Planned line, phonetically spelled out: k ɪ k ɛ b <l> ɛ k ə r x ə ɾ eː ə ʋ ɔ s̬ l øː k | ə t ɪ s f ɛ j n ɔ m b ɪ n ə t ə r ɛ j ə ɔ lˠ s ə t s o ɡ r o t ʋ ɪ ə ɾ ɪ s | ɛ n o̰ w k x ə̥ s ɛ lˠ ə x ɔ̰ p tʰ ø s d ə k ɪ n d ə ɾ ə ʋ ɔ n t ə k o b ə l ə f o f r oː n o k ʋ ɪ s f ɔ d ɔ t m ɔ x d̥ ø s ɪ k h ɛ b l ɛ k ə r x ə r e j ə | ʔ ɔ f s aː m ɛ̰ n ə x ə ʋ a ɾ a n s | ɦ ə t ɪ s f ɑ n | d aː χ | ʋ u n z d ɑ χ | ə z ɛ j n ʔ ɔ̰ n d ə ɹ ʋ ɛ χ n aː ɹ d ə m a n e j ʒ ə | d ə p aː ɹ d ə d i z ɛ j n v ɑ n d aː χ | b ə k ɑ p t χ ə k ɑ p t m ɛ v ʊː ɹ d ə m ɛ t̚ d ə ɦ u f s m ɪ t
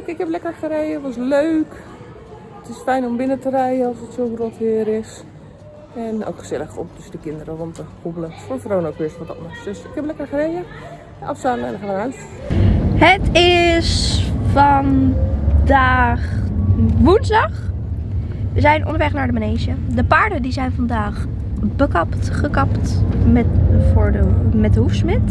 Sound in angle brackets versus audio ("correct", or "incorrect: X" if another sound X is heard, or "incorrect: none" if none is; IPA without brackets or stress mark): correct